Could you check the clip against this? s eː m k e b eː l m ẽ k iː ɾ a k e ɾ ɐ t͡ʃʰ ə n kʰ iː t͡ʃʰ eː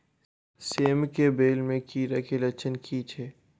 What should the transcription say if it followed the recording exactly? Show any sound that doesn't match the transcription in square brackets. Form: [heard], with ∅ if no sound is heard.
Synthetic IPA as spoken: s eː m k e b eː l m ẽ k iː ɾ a k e [l] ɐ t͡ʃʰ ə n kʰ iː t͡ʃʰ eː